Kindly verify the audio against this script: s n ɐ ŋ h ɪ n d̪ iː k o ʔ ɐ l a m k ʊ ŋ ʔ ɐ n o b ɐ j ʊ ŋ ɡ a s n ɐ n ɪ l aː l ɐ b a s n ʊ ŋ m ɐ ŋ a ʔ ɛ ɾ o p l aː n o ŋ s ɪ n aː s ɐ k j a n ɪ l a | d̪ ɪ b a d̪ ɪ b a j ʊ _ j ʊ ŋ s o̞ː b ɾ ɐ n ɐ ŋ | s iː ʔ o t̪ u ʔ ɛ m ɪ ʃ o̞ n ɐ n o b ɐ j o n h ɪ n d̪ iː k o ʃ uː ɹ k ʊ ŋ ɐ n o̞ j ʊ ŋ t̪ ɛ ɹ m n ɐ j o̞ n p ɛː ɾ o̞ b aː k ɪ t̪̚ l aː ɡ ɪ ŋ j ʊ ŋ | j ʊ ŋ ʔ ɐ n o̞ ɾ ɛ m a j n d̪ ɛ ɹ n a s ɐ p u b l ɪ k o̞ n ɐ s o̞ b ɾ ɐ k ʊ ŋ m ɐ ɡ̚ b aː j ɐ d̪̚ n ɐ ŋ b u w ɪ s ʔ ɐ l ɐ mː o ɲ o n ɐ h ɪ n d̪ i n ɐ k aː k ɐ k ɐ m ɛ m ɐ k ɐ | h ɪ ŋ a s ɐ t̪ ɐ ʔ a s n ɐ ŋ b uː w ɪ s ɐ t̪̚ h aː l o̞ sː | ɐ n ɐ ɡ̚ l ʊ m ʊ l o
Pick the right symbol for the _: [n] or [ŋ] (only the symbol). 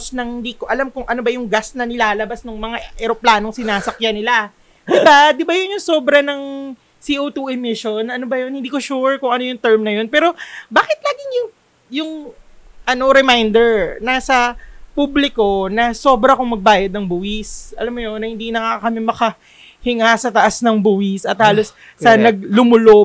n